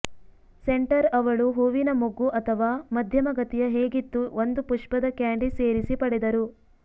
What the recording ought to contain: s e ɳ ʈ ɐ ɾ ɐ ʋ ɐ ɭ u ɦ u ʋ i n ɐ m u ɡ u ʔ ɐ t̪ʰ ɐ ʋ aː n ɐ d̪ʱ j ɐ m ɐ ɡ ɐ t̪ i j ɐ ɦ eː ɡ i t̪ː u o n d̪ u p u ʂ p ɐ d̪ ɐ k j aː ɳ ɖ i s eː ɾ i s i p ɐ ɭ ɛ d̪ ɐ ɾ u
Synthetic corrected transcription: s e ɳ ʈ ɐ ɾ ɐ ʋ ɐ ɭ u ɦ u ʋ i n ɐ m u ɡ u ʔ ɐ t̪ʰ ɐ ʋ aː m ɐ d̪ʱ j ɐ m ɐ ɡ ɐ t̪ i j ɐ ɦ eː ɡ i t̪ː u o n d̪ u p u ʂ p ɐ d̪ ɐ k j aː ɳ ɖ i s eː ɾ i s i p ɐ ɽ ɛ d̪ ɐ ɾ u